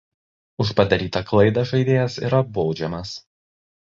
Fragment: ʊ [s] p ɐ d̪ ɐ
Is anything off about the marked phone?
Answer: yes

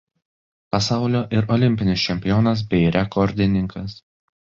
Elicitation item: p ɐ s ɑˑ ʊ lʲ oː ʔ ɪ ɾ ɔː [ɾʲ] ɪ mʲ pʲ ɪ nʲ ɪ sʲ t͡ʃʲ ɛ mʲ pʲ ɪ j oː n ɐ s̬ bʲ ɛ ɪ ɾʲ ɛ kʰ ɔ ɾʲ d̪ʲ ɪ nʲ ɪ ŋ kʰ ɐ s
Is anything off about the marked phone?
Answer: yes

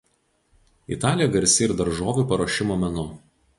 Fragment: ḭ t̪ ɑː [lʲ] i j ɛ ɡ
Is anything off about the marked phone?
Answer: no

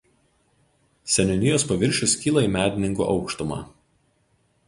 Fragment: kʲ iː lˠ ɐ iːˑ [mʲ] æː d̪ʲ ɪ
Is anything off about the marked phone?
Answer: no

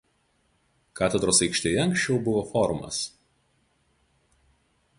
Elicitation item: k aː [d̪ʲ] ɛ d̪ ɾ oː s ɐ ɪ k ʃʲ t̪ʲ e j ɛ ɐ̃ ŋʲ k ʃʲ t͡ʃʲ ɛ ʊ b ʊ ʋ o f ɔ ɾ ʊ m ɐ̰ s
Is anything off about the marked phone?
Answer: yes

